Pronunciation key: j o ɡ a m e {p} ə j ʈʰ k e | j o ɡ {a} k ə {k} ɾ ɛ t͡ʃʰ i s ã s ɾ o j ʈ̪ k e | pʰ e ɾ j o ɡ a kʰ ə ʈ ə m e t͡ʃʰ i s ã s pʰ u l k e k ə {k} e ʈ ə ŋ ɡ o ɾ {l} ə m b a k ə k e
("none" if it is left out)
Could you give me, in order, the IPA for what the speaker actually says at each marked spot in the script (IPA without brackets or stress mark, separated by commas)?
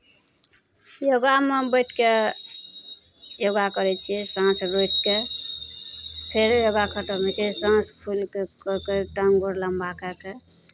b, a, none, k, l